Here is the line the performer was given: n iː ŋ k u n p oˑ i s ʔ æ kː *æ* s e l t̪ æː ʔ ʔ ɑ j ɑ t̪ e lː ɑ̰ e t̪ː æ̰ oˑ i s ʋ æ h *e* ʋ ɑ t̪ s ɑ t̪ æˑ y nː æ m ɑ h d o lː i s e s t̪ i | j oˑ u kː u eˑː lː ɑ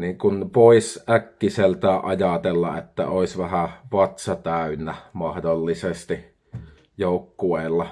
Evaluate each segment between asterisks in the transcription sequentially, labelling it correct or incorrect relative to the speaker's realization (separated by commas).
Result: incorrect, incorrect